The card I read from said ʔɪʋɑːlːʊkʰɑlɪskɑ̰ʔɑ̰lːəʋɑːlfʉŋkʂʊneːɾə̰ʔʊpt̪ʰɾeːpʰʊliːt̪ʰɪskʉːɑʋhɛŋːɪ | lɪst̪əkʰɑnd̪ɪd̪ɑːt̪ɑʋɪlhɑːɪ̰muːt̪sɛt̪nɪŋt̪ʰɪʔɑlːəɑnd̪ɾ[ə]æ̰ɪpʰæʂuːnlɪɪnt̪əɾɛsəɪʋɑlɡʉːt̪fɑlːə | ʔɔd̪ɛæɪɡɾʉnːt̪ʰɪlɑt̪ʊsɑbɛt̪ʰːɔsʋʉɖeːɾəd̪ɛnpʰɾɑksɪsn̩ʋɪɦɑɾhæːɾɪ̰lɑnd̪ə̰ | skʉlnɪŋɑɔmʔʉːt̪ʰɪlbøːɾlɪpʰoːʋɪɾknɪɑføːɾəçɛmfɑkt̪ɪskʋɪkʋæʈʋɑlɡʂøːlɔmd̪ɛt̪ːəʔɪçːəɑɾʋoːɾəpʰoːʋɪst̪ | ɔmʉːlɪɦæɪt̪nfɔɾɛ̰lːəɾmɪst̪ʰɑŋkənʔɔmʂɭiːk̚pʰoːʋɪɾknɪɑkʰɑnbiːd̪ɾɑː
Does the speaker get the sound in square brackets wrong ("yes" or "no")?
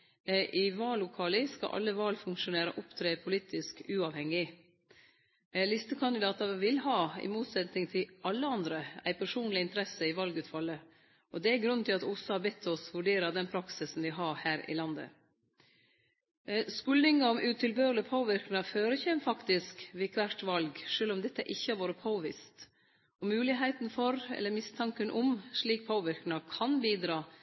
no